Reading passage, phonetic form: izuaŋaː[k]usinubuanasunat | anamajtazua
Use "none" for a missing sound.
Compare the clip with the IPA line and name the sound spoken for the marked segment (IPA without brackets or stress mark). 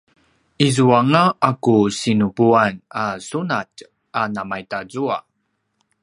k